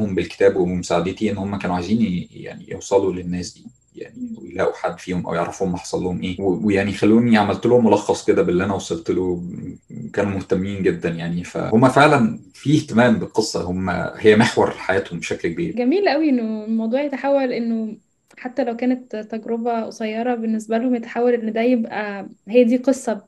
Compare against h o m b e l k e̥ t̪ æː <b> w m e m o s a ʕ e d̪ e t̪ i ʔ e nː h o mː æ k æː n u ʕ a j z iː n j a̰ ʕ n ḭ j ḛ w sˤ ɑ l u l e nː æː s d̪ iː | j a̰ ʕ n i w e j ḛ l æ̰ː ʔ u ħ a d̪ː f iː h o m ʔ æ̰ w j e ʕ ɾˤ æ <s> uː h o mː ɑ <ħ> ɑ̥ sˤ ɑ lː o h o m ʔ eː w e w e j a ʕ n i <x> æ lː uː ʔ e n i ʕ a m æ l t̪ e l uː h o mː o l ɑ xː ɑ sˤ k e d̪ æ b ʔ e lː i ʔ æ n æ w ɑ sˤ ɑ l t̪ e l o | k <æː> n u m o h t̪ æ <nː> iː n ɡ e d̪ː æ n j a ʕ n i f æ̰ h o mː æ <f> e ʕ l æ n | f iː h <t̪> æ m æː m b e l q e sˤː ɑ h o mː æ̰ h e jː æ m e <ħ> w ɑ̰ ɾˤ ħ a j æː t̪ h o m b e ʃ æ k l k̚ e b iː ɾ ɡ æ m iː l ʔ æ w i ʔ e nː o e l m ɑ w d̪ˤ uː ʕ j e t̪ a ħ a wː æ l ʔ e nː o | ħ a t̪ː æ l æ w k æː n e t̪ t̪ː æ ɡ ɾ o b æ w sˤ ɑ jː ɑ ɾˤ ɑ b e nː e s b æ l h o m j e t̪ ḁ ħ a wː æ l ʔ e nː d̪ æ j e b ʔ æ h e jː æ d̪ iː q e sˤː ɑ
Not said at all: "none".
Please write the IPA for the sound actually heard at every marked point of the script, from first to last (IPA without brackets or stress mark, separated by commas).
b, f, ħ, x, æː, mː, f, t̪, ħ